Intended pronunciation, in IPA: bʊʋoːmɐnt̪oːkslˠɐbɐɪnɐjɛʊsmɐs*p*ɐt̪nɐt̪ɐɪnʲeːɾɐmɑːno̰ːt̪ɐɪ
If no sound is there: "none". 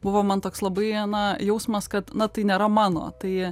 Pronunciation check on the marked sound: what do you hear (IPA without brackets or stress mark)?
k